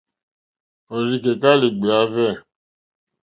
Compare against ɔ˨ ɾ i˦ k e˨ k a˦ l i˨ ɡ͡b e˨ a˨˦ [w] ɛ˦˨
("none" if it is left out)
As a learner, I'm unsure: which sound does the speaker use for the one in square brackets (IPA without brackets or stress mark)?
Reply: v